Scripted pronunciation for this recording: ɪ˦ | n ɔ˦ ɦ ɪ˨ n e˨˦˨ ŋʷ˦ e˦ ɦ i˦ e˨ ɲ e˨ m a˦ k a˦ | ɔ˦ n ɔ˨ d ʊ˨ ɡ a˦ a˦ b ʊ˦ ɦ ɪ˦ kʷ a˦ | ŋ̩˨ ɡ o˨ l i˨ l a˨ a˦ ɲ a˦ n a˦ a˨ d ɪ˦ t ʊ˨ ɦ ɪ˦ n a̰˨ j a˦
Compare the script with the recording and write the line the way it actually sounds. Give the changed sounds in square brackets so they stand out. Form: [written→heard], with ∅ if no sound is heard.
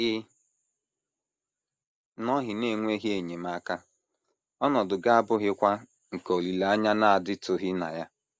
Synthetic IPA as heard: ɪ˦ | n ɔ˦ ɦ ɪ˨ n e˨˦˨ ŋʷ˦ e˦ ɦ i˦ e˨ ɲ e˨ m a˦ k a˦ | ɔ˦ n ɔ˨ d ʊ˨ ɡ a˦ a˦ b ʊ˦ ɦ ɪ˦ kʷ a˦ | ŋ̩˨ [ɡ→k] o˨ l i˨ l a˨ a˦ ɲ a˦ n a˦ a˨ d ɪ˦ t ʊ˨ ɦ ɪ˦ n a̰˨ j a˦